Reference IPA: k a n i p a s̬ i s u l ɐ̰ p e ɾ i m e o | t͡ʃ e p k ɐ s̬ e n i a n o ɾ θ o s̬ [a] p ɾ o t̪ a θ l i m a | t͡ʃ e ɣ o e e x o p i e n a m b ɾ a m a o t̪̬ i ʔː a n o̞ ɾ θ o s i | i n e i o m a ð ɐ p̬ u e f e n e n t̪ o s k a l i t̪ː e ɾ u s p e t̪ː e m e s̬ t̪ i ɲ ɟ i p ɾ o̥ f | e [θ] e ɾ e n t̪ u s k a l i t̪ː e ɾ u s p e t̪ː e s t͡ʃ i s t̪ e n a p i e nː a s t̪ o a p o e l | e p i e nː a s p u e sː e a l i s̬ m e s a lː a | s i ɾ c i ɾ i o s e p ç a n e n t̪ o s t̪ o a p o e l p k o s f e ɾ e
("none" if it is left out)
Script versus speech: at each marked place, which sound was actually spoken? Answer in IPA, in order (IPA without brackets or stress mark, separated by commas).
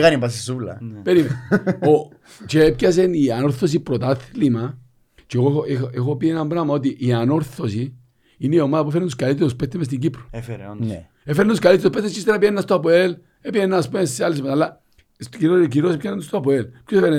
i, f